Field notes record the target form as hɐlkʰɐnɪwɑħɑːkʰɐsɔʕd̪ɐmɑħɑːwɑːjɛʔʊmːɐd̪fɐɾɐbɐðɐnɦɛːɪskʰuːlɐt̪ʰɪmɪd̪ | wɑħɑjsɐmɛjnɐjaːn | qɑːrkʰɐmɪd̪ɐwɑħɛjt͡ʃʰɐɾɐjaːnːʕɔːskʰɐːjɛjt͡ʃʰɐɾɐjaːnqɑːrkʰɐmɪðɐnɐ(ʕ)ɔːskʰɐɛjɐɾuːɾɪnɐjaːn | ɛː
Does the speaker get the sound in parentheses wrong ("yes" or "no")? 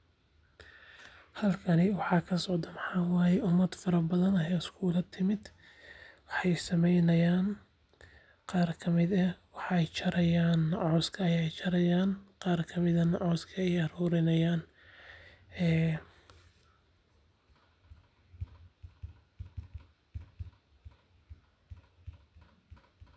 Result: no